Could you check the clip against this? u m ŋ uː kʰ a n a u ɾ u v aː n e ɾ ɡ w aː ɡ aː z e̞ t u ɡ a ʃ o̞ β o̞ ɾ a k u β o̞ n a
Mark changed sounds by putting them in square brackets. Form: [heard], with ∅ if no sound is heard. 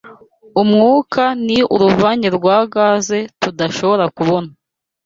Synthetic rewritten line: u m ŋ uː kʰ a n [i] u ɾ u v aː [ɲ] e ɾ ɡ w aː ɡ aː z e̞ t u [d] a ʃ o̞ β o̞ ɾ a k u β o̞ n a